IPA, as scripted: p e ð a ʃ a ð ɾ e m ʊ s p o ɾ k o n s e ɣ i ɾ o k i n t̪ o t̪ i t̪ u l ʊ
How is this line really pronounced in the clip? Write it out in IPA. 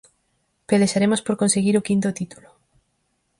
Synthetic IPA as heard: p e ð e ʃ a ɾ e m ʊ s p o ɾ k o n s e ɣ i ɾ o k i n t̪ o t̪ i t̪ u l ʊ